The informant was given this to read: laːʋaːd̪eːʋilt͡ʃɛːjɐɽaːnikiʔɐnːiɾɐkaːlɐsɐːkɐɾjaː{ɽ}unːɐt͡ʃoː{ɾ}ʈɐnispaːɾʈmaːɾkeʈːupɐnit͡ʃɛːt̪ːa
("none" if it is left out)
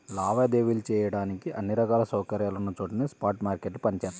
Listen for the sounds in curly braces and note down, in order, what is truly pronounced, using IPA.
l, none

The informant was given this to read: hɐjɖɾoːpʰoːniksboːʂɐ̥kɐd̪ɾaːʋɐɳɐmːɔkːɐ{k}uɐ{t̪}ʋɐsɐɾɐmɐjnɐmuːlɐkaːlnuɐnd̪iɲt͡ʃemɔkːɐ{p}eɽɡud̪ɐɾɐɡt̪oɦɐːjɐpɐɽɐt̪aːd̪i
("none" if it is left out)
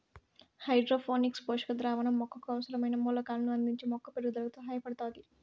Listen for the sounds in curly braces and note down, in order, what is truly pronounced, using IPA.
k, none, p

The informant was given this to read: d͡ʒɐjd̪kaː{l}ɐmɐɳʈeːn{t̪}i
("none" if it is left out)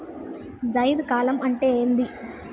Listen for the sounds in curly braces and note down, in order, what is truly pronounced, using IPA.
l, d̪

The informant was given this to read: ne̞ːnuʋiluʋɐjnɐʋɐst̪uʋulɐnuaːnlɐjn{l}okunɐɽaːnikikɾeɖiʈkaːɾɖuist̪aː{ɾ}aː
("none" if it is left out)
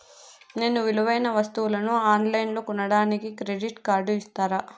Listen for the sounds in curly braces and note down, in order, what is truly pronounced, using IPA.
l, ɾ

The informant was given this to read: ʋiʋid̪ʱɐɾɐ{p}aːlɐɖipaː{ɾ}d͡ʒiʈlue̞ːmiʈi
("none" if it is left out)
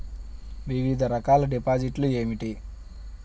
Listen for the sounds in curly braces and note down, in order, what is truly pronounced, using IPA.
k, none

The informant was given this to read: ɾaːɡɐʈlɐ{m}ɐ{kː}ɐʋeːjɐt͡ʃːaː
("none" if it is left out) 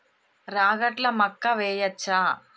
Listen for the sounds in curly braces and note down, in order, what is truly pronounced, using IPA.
m, kː

